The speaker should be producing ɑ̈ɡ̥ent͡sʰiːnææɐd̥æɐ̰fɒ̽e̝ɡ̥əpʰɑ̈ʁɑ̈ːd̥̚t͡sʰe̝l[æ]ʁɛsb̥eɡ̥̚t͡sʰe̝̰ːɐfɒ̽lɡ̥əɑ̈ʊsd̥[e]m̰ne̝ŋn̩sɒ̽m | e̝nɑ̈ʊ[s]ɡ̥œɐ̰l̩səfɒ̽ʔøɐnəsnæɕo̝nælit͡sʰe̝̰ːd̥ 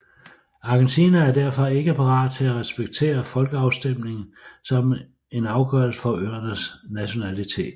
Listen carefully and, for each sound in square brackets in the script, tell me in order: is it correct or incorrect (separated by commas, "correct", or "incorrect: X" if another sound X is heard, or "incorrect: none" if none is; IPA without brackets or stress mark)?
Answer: correct, correct, incorrect: none